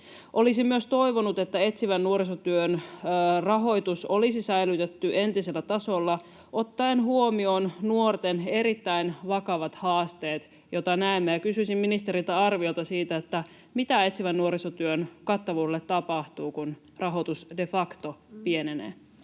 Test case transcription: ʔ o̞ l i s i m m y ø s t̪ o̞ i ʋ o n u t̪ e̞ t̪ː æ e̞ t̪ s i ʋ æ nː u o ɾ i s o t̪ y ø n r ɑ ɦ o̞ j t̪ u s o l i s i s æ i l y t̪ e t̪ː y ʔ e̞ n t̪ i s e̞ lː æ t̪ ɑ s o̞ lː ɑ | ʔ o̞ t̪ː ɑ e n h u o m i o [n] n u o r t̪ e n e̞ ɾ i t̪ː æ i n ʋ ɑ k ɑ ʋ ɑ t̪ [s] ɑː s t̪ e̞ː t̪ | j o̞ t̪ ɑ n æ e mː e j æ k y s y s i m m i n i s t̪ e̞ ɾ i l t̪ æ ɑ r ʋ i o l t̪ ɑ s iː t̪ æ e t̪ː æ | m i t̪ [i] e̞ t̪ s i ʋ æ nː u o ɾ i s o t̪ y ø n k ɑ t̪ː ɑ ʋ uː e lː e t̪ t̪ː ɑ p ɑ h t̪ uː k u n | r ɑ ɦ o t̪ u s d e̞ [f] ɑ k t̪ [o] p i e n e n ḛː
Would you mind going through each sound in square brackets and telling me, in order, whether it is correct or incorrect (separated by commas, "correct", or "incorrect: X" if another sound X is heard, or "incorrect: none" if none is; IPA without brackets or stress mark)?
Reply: correct, incorrect: h, incorrect: æ, correct, correct